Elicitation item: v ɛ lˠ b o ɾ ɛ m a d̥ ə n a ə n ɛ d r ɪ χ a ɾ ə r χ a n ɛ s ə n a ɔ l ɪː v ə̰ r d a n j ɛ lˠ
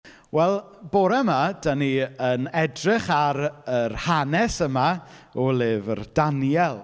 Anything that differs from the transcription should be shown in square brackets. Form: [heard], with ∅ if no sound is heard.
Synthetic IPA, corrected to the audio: [w] ɛ lˠ b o ɾ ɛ m a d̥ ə n [i] ə n ɛ d r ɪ χ a ɾ ə r [h] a n ɛ s ə [m] a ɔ l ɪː v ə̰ r d a n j ɛ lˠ